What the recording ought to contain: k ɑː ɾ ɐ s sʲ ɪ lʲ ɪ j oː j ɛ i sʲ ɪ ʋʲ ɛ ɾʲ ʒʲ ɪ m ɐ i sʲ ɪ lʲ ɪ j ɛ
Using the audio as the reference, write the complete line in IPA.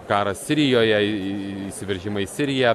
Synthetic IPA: k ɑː ɾ ɐ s sʲ ɪ ɾʲ ɪ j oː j ɛ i sʲ ɪ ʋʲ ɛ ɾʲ ʒʲ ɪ m ɐ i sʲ ɪ ɾʲ ɪ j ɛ